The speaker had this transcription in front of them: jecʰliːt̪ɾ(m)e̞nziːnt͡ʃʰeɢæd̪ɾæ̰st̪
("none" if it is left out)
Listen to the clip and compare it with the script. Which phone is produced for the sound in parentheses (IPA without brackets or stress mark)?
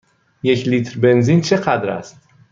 b